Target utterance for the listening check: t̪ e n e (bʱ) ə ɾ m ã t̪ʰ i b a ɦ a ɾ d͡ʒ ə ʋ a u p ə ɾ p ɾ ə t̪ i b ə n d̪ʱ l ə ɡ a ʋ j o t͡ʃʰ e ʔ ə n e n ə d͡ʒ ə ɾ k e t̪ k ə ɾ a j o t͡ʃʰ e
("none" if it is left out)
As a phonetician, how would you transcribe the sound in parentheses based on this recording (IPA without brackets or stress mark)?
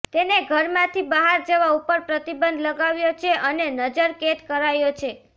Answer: ɡʱ